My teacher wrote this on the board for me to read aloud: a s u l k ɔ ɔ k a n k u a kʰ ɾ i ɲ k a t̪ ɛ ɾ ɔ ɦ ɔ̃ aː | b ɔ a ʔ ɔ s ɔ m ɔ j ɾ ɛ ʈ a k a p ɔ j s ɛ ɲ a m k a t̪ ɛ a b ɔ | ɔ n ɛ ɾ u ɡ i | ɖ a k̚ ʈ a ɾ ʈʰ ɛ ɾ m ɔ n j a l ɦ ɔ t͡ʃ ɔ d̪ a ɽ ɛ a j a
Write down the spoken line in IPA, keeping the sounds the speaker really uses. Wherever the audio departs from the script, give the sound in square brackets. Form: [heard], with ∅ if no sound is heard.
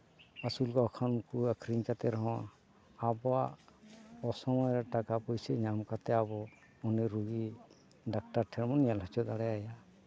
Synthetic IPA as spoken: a s u l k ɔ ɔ [kʰ] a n k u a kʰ ɾ i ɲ k a t̪ ɛ ɾ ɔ ɦ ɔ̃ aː | b ɔ a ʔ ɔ s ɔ m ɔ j ɾ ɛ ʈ a k a p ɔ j s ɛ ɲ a m k a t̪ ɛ a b ɔ | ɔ n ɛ ɾ u ɡ i | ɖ a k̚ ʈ a ɾ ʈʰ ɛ ɾ m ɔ n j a l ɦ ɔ t͡ʃ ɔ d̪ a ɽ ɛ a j a